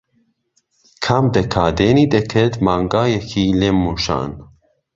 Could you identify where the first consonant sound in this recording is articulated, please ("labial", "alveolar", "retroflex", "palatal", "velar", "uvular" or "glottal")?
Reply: velar